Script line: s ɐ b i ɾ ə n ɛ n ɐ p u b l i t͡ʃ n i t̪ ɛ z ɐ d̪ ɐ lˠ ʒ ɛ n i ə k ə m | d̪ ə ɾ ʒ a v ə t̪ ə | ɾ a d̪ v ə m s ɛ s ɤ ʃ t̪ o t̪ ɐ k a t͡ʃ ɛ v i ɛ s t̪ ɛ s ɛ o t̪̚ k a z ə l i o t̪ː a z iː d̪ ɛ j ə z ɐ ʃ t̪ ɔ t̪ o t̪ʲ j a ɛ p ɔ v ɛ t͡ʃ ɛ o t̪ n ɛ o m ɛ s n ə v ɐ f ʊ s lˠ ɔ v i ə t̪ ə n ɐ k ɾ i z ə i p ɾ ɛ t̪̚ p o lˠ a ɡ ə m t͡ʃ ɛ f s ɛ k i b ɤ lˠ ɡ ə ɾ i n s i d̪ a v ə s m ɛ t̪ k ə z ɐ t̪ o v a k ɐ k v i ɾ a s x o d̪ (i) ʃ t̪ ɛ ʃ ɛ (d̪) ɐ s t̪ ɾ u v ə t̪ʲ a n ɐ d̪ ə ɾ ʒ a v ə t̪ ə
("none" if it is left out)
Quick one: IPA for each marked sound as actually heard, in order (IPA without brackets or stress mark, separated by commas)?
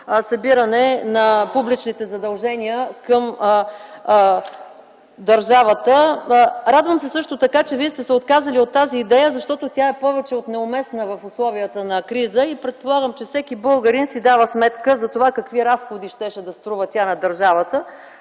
i, d̪